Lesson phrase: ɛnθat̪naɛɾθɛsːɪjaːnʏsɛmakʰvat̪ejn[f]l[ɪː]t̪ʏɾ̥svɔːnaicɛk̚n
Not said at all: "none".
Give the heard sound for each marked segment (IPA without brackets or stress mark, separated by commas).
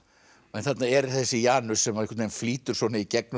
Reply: f, iː